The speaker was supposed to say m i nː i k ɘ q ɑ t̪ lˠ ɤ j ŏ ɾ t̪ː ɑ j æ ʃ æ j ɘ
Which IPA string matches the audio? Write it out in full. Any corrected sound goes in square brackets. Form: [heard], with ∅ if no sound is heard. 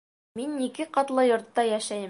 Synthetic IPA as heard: m i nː i k ɘ q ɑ t̪ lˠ ɤ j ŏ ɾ t̪ː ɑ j æ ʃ æ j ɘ

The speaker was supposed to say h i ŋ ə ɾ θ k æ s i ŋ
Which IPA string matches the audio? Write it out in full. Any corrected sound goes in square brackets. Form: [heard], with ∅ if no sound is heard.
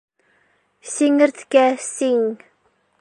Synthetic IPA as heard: [s] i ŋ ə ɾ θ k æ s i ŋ

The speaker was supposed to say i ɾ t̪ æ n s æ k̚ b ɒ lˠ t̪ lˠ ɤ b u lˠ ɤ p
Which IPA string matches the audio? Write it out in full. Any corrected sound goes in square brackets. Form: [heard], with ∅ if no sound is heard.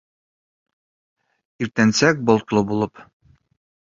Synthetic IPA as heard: i ɾ t̪ æ n s æ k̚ b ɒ lˠ t̪ lˠ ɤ b u lˠ ɤ p

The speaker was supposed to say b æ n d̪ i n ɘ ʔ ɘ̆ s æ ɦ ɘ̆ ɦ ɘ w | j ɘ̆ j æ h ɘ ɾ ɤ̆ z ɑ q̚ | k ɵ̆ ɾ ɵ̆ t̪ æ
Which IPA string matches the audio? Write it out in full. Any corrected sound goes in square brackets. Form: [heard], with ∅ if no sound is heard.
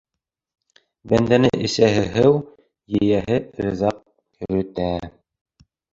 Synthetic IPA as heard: b æ n d̪ [æ] n ɘ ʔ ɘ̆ s æ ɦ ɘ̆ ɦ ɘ w | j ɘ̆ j æ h ɘ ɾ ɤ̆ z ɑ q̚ | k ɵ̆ ɾ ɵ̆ t̪ æ

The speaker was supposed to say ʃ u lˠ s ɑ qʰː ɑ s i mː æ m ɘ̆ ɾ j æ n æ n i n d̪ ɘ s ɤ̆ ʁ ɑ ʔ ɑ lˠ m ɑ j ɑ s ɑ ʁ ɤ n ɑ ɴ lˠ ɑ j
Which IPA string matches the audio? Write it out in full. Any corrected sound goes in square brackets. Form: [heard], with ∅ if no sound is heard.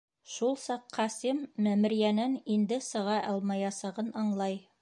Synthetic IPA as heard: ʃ u lˠ s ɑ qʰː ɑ s i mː æ m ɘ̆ ɾ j æ n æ n i n d̪ ɘ s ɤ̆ ʁ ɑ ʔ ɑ lˠ m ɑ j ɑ s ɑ ʁ ɤ n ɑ ɴ lˠ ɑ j

